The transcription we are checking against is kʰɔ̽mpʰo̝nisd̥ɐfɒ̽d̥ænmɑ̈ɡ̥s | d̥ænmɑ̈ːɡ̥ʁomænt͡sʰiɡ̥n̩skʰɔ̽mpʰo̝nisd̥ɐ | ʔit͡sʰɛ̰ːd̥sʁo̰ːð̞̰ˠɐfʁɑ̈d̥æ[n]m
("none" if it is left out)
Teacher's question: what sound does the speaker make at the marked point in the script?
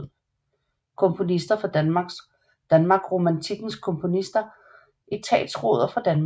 n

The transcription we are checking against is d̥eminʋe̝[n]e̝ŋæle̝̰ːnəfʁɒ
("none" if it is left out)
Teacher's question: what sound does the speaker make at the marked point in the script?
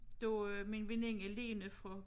n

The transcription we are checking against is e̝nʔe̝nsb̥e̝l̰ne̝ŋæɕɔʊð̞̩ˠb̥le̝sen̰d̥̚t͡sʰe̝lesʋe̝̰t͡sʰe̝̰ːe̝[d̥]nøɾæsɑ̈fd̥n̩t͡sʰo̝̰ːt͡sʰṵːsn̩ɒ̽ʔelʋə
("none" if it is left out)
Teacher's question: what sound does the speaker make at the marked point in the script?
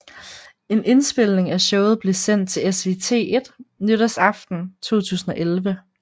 d̥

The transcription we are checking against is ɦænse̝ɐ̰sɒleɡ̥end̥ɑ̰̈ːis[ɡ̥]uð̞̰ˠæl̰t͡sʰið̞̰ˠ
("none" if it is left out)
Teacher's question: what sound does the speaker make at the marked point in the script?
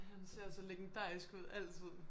ɡ̥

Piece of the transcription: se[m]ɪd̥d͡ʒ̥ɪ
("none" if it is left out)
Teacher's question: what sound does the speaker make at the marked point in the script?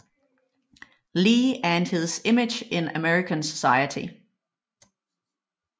m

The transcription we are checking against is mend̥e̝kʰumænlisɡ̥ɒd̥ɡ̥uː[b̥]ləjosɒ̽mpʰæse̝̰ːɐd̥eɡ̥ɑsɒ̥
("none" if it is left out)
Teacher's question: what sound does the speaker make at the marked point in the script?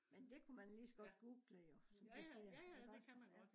ɡ̥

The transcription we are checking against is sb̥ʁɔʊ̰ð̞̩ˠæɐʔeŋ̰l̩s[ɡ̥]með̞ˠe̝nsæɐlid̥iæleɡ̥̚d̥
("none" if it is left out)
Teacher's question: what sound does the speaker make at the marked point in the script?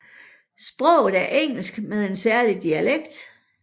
ɡ̥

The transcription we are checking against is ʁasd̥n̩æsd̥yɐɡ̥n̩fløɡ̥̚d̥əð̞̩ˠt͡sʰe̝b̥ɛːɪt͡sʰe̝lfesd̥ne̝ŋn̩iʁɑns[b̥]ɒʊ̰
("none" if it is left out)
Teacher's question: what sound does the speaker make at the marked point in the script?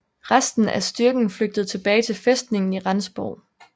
b̥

